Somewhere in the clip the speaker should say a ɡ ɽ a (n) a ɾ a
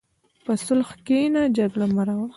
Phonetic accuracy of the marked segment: incorrect: m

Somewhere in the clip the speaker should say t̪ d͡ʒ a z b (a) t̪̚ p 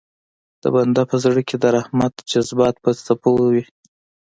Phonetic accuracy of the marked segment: incorrect: ɑ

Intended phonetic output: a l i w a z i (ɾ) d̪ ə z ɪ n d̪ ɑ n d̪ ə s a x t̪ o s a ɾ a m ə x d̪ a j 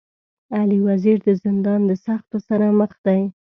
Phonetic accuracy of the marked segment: correct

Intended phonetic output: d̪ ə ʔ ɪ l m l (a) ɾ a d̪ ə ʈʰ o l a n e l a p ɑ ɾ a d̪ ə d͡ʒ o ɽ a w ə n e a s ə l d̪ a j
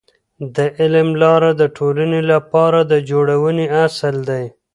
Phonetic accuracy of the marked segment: incorrect: ɑ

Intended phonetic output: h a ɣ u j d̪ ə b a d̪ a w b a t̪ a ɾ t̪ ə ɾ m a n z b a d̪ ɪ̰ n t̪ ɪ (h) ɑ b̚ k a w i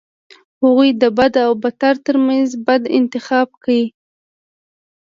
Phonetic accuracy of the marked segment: incorrect: x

